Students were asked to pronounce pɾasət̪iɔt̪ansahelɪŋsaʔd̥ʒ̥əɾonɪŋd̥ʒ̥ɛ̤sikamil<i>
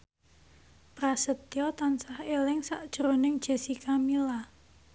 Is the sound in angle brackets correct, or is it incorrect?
incorrect